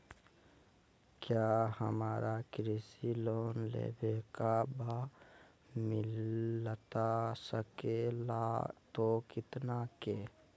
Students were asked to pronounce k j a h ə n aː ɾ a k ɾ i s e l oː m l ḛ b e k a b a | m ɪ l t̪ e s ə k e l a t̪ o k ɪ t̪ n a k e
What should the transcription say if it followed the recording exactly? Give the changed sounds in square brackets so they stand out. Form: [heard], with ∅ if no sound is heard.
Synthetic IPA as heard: k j a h ə [m] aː ɾ a k ɾ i s [i] l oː [n] l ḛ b e k a b a | m ɪ l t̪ [a] s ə k e l a t̪ o k ɪ t̪ n a k e